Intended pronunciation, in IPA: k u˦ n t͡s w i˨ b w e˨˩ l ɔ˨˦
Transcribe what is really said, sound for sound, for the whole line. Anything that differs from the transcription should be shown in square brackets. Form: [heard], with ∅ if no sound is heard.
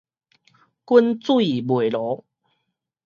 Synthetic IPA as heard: k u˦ n t͡s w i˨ b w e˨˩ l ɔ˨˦